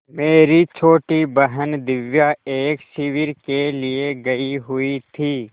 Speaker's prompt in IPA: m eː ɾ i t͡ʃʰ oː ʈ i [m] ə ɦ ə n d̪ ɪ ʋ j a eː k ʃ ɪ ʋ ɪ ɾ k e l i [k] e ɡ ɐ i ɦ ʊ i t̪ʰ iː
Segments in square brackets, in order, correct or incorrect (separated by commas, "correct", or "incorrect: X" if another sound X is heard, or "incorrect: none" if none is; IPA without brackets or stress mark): incorrect: b, incorrect: none